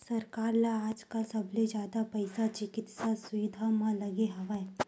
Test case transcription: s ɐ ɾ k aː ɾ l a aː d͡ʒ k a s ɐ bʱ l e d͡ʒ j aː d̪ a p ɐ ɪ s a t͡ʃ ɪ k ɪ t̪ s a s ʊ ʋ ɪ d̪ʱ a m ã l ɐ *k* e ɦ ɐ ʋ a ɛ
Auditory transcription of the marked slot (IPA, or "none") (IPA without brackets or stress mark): ɡ